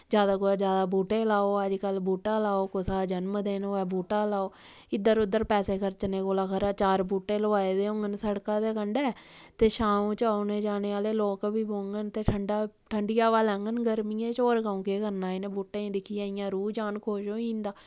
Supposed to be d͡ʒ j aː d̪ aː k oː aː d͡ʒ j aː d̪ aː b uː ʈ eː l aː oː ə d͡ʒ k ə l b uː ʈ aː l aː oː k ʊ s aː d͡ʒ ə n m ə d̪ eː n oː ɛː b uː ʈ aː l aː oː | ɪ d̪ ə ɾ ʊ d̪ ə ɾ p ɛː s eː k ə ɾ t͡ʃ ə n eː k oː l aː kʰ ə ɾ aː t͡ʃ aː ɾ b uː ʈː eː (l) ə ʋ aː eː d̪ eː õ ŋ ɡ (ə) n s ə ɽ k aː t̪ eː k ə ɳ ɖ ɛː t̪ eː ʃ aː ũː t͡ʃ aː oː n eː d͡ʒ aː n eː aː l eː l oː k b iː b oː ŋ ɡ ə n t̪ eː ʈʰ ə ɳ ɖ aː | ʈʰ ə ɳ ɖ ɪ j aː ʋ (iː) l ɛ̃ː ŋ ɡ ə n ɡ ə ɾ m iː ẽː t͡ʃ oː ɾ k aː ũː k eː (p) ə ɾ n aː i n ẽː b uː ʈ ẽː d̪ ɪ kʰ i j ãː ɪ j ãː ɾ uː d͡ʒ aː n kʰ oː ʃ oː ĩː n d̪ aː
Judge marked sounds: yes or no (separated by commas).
yes, yes, no, no